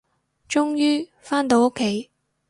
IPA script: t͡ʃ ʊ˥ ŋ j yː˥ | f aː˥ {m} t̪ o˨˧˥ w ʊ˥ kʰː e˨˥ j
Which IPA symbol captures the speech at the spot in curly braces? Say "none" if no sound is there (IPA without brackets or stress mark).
n